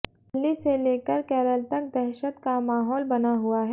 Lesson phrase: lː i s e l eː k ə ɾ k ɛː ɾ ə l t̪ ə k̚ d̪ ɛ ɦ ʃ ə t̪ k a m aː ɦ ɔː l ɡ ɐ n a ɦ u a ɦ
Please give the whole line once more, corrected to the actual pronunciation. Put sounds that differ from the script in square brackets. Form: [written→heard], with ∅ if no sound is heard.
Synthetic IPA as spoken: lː i s e l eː k ə ɾ k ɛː ɾ ə l t̪ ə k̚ d̪ ɛ ɦ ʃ ə t̪ k a m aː ɦ ɔː l [ɡ→b] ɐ n a ɦ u a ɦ